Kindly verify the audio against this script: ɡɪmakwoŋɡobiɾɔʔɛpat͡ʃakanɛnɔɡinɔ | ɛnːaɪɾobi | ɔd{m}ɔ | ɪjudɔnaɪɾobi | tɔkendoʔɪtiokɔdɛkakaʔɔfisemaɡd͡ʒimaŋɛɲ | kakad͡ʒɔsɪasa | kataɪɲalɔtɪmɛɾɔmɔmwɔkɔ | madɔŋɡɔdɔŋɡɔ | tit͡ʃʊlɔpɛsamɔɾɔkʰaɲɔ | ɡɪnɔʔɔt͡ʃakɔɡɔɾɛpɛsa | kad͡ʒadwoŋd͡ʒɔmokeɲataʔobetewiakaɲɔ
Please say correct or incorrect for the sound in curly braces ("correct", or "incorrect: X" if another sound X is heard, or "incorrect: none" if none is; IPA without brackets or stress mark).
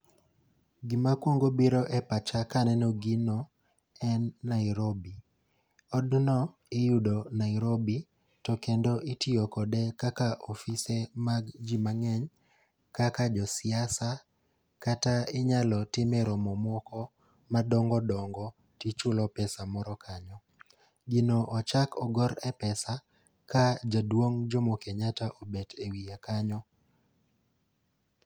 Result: incorrect: n